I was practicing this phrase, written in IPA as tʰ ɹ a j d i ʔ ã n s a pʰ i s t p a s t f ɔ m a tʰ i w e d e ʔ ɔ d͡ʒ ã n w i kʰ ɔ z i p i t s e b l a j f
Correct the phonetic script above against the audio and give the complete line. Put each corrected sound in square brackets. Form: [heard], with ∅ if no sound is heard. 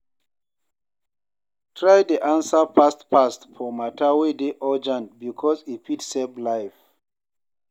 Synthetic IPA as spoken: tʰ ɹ a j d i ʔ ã n s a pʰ [a] s t p a s t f ɔ m a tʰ [a] w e d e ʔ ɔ d͡ʒ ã n [b] i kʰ ɔ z i p i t s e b l a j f